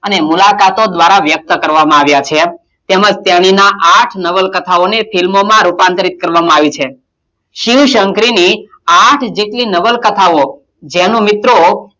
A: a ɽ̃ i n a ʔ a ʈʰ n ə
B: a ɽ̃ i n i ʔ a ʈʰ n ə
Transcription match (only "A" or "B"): A